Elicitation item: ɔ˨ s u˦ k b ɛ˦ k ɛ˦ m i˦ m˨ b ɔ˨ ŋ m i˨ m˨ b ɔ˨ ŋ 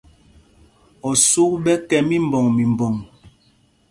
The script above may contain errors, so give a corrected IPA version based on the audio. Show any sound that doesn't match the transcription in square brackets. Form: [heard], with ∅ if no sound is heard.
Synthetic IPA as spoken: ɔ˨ s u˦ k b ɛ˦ k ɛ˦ m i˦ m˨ b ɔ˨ ŋ m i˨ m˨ b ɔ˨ ŋ